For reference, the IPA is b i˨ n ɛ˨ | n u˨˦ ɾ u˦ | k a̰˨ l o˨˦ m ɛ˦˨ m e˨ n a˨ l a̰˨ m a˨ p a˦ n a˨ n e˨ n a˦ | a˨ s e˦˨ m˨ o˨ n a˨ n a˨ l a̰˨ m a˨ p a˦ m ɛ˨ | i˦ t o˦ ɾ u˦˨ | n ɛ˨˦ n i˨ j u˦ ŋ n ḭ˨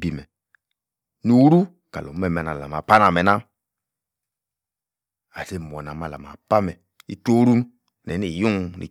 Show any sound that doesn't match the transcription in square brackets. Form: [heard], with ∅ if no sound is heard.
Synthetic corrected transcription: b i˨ [m] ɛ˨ | n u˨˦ ɾ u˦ | k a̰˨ l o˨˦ m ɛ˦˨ m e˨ n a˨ l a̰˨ m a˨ p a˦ n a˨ [m] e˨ n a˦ | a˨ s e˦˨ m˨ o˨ n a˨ [m] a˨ l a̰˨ m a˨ p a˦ m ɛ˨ | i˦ t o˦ ɾ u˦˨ | n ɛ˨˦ n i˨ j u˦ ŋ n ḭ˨